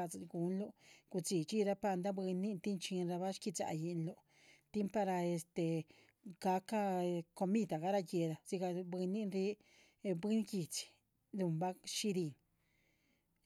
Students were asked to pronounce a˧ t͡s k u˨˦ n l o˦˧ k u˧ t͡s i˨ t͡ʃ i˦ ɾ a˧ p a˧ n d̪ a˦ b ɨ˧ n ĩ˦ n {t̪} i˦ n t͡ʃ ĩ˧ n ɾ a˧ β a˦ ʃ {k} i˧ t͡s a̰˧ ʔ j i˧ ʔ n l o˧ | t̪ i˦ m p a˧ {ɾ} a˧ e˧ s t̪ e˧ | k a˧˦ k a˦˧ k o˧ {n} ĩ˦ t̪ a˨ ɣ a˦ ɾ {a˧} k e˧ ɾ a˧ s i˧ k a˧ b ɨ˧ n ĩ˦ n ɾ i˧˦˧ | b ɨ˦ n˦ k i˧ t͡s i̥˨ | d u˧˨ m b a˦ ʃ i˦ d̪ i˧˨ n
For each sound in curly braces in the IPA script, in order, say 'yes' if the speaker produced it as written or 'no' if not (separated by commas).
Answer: yes, yes, yes, no, yes